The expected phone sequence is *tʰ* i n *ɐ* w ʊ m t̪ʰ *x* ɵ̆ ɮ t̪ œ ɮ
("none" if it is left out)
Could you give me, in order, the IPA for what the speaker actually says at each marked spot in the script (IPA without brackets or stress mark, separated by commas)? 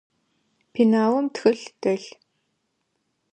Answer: pʰ, a, x